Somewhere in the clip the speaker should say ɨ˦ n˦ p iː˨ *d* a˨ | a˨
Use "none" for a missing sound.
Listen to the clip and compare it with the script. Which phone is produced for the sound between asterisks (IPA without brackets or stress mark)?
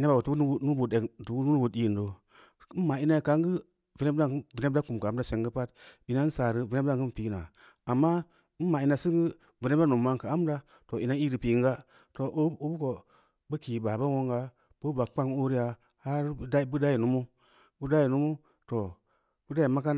n